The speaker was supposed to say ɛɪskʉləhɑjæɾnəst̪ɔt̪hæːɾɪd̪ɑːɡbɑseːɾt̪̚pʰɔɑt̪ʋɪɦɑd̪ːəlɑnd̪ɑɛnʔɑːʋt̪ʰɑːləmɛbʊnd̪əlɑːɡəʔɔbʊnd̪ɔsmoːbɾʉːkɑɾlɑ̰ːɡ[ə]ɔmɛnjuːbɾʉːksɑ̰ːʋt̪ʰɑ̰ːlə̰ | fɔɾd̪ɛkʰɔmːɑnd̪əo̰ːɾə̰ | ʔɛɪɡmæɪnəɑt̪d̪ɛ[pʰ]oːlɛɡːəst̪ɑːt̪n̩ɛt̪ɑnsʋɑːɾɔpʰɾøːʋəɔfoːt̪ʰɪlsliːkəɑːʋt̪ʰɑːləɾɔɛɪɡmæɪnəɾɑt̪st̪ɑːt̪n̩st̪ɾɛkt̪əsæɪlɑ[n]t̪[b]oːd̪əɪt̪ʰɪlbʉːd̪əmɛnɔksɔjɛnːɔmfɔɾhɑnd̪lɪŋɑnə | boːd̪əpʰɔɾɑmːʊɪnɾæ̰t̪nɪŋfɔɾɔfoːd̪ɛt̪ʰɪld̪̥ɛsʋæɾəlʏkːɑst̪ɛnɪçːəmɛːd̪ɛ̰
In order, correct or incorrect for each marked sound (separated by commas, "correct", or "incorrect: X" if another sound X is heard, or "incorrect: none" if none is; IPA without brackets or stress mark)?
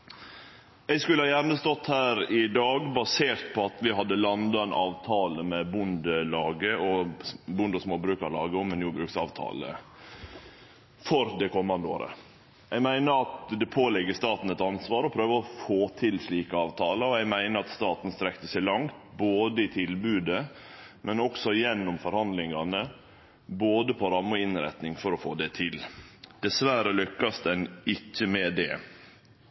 correct, correct, incorrect: ŋ, correct